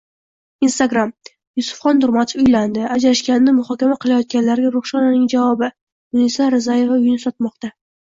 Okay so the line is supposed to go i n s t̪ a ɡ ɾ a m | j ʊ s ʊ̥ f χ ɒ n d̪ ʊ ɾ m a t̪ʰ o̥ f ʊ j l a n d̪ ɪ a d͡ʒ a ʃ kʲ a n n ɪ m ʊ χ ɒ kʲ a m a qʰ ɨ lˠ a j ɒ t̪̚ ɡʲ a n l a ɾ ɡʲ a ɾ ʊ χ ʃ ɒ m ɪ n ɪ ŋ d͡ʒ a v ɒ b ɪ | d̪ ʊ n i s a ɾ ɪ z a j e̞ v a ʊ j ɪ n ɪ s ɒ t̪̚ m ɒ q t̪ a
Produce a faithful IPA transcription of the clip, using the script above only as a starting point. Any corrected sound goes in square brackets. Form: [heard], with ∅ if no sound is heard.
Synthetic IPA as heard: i n s t̪ a ɡ ɾ a m | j ʊ s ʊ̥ f χ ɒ n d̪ ʊ ɾ m a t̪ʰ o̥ f ʊ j l a n d̪ ɪ a d͡ʒ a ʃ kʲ a n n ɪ m ʊ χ ɒ kʲ a m a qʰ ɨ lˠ a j ɒ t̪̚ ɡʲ a n l a ɾ ɡʲ a ɾ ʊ χ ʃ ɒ [n] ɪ n ɪ ŋ d͡ʒ a v ɒ b ɪ | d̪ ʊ n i s a ɾ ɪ z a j e̞ v a ʊ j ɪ n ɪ s ɒ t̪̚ m ɒ q t̪ a